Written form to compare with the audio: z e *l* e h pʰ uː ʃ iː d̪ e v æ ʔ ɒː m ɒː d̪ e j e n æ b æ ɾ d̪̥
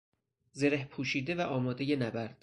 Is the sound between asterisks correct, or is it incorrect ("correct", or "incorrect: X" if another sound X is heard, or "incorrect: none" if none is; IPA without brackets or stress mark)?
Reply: incorrect: ɾ